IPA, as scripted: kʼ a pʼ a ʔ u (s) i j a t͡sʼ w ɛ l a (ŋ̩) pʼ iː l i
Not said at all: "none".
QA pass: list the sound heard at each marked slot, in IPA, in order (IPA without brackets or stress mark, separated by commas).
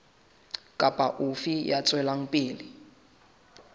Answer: f, ŋ̩